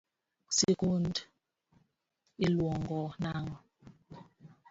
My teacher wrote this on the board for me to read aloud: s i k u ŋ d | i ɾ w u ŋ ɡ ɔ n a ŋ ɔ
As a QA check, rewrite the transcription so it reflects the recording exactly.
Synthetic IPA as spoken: s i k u n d | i l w ɔ ŋ ɡ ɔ n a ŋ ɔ

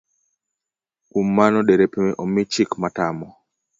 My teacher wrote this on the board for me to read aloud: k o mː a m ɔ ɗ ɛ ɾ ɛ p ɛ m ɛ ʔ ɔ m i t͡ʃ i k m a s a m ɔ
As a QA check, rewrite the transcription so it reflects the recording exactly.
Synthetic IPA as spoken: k u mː a n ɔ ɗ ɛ ɾ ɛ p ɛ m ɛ ʔ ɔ m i t͡ʃ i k m a t a m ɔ

